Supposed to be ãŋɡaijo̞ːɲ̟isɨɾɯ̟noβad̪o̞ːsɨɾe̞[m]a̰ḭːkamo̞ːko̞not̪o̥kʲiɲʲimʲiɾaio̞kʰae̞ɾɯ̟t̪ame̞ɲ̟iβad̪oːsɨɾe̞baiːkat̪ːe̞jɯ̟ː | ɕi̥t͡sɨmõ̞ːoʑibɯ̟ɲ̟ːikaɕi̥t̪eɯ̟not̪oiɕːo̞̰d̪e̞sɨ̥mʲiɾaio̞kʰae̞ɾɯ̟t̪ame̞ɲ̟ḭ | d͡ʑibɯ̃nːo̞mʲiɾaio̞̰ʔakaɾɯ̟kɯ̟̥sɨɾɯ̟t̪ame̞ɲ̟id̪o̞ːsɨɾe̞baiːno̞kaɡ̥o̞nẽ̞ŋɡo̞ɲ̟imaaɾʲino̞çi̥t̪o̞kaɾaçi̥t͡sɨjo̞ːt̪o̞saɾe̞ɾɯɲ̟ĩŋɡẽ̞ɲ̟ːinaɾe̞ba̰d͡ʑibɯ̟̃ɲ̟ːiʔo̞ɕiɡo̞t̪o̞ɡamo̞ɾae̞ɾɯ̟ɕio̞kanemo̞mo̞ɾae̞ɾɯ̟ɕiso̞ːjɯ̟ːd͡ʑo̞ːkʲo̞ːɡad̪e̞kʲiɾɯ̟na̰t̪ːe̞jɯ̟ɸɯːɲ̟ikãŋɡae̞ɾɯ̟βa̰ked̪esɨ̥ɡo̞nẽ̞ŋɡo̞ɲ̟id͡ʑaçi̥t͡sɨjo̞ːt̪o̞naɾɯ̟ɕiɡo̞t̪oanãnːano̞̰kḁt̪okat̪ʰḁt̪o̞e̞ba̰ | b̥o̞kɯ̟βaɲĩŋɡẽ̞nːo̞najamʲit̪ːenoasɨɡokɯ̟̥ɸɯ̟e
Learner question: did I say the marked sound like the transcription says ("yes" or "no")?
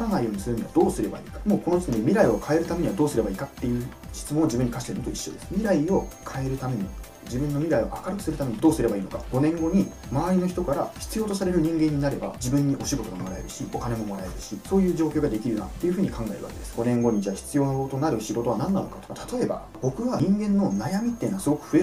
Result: no